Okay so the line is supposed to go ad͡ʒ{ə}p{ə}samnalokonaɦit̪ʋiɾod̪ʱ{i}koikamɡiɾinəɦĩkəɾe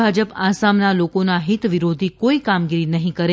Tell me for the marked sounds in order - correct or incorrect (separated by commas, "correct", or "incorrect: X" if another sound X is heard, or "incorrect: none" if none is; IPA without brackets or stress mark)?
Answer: correct, incorrect: a, correct